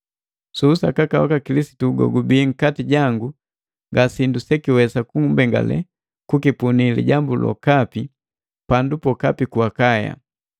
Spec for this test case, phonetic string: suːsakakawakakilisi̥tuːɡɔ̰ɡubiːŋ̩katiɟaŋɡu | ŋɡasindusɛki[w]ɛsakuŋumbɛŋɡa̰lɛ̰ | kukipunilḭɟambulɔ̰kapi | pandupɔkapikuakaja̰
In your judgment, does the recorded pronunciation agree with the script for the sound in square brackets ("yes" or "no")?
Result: yes